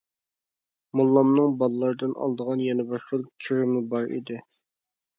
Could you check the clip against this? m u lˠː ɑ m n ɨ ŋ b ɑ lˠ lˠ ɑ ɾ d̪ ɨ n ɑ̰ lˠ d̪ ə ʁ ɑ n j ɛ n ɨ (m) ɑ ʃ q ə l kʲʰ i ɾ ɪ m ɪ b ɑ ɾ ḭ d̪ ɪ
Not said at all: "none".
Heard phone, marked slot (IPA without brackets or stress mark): b